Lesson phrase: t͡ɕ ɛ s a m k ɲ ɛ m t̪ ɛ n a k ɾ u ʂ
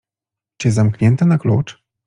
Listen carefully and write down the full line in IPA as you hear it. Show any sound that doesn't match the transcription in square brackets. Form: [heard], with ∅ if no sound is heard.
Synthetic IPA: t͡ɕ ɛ [z] a m k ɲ ɛ [n] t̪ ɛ n a k [l] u [t͡ʂ]